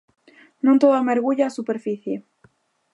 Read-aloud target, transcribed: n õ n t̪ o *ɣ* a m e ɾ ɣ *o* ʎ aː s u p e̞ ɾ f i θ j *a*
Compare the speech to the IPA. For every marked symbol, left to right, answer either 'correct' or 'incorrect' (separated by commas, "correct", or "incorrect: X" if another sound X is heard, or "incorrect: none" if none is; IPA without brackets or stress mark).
incorrect: ð, incorrect: u, incorrect: e